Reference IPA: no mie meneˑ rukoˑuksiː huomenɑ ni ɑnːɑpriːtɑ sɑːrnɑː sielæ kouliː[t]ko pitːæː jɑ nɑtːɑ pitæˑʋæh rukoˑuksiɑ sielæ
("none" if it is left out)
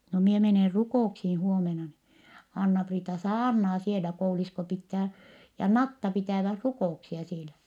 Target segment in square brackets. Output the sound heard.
s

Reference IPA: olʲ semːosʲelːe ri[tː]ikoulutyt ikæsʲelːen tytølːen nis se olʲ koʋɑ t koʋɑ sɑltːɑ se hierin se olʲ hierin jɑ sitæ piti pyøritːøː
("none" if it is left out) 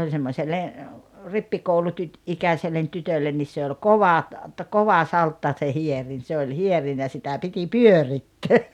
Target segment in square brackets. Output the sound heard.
pː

